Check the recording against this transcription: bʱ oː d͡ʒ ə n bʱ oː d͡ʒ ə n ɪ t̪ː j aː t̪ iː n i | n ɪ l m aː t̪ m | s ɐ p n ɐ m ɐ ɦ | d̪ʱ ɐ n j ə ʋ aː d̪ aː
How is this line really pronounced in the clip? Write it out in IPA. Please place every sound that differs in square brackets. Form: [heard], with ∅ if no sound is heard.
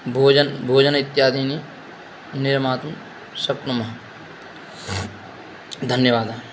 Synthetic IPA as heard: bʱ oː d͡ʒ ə n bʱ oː d͡ʒ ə n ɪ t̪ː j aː [d̪] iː n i | n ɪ [ɾ] m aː t̪ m | s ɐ p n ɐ m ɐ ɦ | d̪ʱ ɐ n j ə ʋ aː d̪ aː